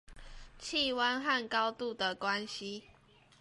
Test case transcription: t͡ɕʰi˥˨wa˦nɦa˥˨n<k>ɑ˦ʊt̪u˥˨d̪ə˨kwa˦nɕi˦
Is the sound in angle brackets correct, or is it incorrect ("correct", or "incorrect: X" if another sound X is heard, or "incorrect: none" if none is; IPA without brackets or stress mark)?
correct